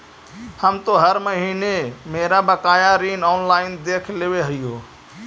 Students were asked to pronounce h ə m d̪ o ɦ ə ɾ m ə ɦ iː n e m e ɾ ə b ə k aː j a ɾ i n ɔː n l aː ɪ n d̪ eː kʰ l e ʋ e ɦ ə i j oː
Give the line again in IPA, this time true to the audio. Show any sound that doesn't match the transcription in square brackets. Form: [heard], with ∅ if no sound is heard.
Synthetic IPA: h ə m [t̪] o ɦ ə ɾ m ə ɦ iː n e m e ɾ [a] b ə k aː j a ɾ i n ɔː n l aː ɪ n d̪ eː kʰ l e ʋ e ɦ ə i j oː